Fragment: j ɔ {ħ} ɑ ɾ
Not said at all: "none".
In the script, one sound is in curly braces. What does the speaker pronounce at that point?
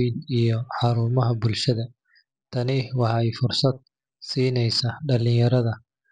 ħ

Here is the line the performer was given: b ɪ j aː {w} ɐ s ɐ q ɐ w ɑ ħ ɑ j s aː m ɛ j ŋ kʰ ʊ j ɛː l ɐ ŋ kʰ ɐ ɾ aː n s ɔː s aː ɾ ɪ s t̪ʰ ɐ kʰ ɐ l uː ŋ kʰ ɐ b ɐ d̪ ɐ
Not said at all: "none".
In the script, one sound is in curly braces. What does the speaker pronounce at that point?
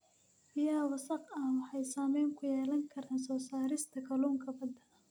w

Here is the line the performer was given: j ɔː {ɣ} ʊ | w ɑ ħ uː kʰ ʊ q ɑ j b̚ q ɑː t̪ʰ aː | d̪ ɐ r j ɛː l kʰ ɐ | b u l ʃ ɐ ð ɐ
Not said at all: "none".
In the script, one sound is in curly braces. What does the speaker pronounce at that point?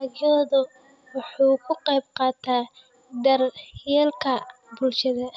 ð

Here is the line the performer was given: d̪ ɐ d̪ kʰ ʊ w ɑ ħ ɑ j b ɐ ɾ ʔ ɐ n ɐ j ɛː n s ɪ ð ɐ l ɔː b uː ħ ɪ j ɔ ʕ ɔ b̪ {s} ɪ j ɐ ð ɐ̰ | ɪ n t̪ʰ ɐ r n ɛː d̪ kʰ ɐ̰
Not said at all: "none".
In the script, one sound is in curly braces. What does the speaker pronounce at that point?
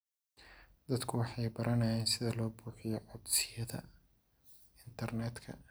s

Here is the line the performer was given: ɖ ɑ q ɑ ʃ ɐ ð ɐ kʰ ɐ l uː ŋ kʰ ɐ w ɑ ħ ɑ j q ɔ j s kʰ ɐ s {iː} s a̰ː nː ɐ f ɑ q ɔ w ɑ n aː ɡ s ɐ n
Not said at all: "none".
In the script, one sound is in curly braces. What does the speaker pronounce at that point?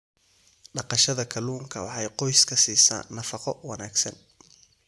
iː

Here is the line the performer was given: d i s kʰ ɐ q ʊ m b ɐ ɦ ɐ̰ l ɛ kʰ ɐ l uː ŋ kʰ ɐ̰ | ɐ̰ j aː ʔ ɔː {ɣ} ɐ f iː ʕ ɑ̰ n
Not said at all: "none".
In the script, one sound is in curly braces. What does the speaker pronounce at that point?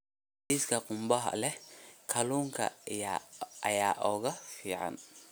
ɣ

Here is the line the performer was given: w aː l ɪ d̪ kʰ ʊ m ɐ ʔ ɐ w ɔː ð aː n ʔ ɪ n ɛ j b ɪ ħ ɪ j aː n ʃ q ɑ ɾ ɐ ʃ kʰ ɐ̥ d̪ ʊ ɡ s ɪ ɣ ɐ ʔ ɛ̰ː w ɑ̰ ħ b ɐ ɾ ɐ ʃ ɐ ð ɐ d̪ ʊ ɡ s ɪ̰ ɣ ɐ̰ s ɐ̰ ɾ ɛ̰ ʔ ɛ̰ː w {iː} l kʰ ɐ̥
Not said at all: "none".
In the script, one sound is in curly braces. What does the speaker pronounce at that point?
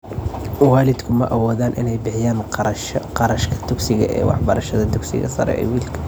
iː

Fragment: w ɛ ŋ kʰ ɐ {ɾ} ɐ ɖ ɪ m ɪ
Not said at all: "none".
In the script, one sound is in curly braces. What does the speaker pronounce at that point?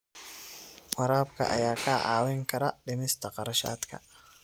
ɾ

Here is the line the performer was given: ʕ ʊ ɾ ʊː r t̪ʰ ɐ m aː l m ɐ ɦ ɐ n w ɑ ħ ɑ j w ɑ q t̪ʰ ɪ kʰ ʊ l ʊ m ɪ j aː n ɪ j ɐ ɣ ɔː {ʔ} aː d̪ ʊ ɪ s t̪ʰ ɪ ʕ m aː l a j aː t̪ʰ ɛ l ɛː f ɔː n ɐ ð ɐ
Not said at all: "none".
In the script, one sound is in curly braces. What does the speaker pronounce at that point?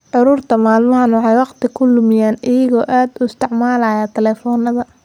ʔ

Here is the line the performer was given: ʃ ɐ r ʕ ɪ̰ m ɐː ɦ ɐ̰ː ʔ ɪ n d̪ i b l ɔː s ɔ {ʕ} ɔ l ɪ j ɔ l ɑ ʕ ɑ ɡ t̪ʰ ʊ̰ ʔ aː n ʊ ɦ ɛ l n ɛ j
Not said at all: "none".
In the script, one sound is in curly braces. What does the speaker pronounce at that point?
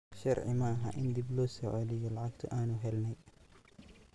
ʕ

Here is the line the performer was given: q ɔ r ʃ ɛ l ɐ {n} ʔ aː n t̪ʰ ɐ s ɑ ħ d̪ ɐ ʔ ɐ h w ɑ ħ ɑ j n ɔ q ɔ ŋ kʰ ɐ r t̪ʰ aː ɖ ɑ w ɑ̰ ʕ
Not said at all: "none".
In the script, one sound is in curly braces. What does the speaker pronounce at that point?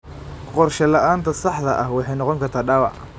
none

